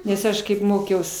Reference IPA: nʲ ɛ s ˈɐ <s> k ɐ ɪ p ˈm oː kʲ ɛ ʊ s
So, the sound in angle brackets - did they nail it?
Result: no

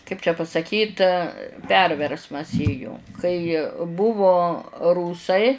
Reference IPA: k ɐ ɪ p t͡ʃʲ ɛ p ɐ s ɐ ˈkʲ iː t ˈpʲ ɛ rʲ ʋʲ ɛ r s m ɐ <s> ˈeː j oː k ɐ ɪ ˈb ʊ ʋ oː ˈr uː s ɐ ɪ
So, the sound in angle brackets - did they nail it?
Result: yes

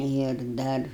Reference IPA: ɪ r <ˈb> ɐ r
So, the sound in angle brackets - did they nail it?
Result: no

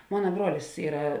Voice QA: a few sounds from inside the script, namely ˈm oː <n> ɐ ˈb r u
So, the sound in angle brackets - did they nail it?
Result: yes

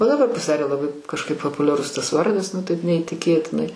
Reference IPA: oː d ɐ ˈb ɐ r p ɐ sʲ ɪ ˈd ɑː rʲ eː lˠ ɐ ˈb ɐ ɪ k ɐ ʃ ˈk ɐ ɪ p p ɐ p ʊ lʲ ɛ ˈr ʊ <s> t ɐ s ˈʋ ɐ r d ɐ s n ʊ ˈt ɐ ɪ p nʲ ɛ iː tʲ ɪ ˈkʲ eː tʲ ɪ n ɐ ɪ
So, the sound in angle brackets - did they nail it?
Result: yes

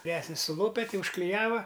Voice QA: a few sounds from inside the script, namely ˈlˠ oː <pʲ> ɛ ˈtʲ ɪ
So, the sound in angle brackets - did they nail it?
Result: yes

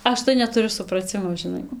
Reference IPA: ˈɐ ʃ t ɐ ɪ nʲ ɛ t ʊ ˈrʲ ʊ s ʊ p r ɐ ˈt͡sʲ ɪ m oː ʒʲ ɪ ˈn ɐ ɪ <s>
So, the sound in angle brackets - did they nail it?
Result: no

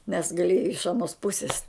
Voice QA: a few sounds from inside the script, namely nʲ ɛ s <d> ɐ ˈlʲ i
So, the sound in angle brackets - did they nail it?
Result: no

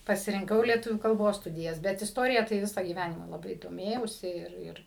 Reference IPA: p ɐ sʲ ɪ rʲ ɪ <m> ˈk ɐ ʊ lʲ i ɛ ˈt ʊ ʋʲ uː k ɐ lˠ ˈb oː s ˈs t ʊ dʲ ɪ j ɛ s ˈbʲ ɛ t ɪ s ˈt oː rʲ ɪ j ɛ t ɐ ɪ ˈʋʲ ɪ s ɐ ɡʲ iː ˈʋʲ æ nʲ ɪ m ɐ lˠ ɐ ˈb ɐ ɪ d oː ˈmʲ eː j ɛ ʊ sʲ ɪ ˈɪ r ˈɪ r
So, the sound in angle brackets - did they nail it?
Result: no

